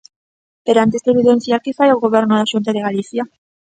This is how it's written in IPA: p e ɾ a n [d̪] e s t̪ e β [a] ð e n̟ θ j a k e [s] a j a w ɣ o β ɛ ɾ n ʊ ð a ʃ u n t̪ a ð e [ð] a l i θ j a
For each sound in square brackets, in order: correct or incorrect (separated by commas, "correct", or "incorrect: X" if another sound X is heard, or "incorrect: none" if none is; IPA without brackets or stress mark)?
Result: incorrect: t̪, incorrect: i, incorrect: f, incorrect: ɣ